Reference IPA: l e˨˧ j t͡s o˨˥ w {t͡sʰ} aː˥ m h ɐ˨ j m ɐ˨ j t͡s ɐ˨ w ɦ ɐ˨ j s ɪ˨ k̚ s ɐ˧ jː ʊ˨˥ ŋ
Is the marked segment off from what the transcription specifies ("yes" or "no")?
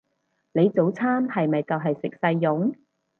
no